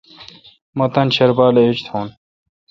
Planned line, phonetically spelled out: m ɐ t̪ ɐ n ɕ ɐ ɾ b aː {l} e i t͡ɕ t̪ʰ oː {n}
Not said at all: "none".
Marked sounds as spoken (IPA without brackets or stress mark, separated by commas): l, n